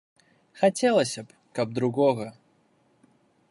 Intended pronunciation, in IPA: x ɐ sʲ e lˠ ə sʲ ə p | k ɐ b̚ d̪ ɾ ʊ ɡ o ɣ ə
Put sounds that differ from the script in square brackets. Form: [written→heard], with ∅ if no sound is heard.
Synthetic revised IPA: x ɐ [sʲ→tʲ] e lˠ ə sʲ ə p | k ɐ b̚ d̪ ɾ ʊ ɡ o ɣ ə